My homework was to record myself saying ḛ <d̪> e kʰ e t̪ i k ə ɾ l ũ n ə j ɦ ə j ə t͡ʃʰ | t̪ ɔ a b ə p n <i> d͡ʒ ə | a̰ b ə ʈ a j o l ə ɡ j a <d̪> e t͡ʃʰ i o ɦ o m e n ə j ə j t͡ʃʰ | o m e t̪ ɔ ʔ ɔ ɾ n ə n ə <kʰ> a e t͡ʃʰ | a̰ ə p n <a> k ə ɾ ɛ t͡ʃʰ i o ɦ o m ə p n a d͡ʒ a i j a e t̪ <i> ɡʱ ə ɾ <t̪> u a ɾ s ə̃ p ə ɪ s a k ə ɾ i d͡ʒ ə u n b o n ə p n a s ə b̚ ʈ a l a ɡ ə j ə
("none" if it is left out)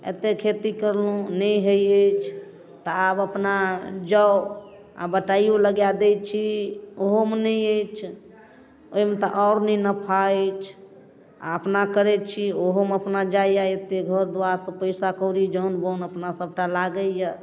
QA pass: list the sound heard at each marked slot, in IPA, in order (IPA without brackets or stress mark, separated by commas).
t̪, a, d̪, pʰ, a, e, d̪